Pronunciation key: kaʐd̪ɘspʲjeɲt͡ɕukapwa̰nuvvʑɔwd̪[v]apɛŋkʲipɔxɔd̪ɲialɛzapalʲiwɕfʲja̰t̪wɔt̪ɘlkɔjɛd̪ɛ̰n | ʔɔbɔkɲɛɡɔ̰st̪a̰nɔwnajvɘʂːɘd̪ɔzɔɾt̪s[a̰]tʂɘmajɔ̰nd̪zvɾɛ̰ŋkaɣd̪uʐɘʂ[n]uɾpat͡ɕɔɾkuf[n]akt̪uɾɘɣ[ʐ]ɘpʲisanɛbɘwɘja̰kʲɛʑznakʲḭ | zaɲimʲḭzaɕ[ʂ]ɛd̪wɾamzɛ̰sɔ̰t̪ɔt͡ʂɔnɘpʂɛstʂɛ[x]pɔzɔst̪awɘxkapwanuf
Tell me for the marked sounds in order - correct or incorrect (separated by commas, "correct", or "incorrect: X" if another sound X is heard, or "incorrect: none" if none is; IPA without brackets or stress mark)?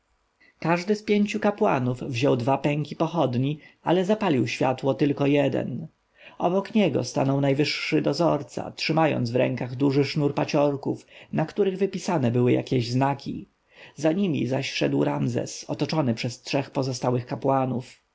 correct, correct, correct, correct, incorrect: v, correct, correct